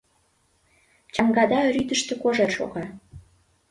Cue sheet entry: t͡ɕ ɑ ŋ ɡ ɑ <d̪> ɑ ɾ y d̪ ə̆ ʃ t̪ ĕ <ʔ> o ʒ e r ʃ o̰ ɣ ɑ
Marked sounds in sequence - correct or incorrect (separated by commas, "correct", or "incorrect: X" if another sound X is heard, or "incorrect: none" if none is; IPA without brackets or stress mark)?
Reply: correct, incorrect: k